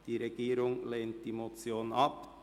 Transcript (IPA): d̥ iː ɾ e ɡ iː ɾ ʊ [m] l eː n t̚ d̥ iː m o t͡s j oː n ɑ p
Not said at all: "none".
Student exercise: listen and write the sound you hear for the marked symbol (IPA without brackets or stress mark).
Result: ŋ